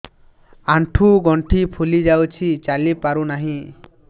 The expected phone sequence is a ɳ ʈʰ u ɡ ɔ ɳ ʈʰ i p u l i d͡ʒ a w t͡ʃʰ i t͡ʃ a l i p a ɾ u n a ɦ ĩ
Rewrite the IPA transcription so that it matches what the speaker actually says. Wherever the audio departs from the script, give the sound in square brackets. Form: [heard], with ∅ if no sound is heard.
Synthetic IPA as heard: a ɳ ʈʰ u ɡ ɔ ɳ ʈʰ i [pʰ] u l i d͡ʒ a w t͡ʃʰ i t͡ʃ a l i p a ɾ u n a ɦ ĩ